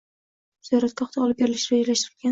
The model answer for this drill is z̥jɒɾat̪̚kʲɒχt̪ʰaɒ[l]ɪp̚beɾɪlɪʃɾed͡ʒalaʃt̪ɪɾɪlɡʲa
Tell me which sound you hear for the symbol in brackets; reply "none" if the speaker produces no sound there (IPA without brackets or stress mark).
l